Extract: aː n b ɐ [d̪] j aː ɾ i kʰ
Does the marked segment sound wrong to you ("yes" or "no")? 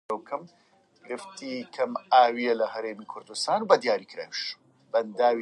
no